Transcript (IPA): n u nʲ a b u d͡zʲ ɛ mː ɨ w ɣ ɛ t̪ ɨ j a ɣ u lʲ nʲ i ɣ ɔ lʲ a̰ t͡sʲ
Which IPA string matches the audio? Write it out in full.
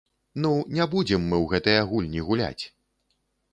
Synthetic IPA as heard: n u nʲ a b u d͡zʲ ɛ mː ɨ w ɣ ɛ t̪ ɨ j a ɣ u lʲ nʲ i ɣ u lʲ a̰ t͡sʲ